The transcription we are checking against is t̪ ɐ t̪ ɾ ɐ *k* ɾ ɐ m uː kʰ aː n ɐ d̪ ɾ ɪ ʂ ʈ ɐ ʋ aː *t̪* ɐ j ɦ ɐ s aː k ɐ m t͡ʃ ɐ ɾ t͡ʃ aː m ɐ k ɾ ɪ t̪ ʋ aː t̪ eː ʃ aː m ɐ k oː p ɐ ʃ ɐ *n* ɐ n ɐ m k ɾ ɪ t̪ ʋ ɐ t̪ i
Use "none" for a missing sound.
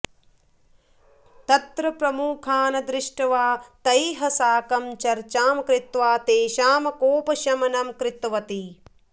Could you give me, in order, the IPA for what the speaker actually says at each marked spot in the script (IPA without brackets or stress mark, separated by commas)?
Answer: p, t̪, m